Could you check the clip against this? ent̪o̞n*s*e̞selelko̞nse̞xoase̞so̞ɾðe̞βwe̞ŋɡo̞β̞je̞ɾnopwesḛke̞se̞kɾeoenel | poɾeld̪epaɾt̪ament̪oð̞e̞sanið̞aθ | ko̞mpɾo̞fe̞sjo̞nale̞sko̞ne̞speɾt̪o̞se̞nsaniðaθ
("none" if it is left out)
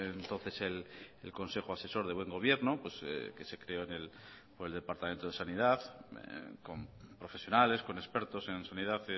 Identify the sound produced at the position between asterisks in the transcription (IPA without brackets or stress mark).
θ